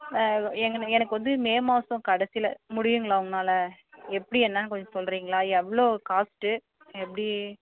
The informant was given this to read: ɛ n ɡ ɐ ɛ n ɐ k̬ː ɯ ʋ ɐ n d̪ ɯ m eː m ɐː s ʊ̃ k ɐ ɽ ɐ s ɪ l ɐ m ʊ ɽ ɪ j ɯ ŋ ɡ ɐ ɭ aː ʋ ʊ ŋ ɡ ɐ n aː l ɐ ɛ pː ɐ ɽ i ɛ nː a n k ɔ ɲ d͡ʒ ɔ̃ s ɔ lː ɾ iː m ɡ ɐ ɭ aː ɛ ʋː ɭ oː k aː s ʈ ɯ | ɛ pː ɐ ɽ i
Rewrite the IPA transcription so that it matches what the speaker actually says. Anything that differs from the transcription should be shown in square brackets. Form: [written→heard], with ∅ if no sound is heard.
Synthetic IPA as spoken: ɛ [n→ŋ] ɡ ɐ ɛ n ɐ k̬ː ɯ ʋ ɐ n d̪ ɯ m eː m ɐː s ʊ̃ k ɐ ɽ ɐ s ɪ l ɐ m ʊ ɽ ɪ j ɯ ŋ ɡ ɐ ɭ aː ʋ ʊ ŋ ɡ ɐ n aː l ɐ ɛ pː ɐ ɽ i ɛ nː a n k ɔ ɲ d͡ʒ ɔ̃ s ɔ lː ɾ iː [m→ŋ] ɡ ɐ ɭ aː ɛ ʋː ɭ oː k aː s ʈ ɯ | ɛ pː ɐ ɽ i